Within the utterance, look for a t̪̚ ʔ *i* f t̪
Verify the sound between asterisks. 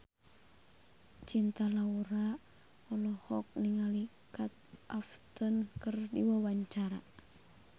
incorrect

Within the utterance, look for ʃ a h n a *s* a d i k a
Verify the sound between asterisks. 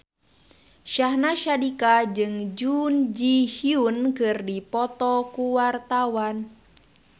incorrect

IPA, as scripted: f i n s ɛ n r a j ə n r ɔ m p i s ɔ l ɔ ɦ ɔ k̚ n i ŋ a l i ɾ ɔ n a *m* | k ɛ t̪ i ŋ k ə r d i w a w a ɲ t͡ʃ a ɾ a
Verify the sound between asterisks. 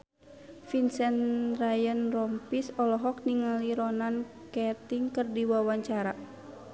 incorrect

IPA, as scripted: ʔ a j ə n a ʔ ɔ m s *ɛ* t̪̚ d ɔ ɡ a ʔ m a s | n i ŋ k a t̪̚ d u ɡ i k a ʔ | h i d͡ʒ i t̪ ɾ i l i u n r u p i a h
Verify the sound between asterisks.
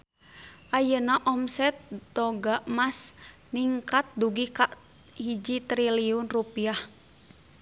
correct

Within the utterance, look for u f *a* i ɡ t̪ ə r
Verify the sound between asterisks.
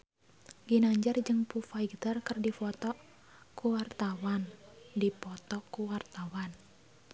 correct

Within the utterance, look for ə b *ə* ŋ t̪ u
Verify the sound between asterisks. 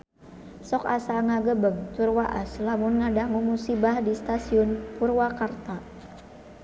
correct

